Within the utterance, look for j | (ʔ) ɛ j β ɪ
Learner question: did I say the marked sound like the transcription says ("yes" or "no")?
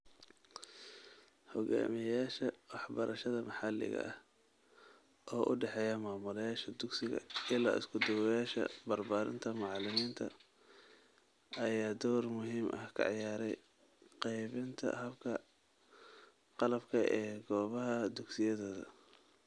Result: no